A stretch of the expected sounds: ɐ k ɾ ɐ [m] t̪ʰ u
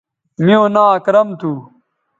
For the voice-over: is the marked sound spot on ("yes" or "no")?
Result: yes